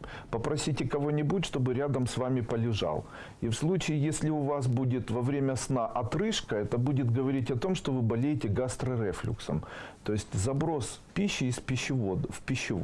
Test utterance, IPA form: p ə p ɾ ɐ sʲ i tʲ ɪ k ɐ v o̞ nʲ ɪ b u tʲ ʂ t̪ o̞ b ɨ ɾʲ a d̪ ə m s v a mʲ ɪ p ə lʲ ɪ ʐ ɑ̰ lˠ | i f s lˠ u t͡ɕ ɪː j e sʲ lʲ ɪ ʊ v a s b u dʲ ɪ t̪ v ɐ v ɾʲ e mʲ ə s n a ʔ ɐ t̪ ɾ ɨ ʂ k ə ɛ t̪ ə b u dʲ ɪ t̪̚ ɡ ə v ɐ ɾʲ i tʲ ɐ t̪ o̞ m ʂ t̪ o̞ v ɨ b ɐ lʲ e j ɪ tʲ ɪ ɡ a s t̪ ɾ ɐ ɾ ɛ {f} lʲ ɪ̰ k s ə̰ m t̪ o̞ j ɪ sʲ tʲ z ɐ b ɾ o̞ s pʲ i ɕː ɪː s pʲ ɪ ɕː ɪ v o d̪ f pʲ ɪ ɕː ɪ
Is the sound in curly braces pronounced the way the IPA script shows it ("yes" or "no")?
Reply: yes